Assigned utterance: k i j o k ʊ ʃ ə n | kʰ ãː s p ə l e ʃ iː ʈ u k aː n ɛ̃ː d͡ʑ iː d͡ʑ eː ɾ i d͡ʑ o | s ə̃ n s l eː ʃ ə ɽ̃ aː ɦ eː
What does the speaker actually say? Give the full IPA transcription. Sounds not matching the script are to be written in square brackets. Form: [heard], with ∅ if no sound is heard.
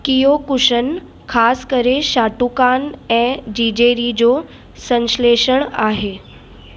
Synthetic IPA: k i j o k ʊ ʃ ə n | kʰ [aː] s [k] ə [ɾ] e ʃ [aː] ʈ u k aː n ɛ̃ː d͡ʑ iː d͡ʑ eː ɾ i d͡ʑ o | s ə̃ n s l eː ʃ ə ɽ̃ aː ɦ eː